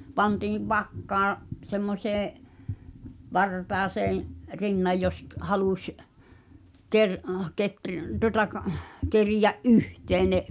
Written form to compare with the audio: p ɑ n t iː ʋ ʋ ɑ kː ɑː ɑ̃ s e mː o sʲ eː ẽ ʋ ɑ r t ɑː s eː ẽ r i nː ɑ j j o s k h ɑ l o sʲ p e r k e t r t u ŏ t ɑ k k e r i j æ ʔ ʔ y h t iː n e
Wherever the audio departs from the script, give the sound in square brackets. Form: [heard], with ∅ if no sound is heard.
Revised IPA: p ɑ n t iː ʋ ʋ ɑ kː ɑː ɑ̃ s e mː o sʲ eː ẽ ʋ ɑ r t ɑː s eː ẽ r i nː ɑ j j o s k h ɑ l [u] sʲ [k] e r k e t r t u ŏ t ɑ k k e r i j æ ʔ ʔ y h t [eː] n e